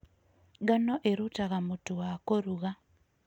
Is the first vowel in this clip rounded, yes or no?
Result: no